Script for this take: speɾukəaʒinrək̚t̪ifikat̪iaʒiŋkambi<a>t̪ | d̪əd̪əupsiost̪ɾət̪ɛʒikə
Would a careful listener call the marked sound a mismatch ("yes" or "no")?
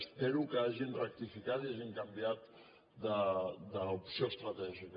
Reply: no